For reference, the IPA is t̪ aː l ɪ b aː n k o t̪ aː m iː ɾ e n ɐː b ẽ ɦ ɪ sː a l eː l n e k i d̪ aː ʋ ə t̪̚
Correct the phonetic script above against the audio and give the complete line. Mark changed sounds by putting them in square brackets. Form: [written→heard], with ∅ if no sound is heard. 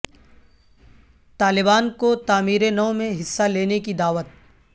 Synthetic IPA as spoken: t̪ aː l ɪ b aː n k o t̪ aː m iː ɾ e n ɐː [b→m] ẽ ɦ ɪ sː a l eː [l→∅] n e k i d̪ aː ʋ ə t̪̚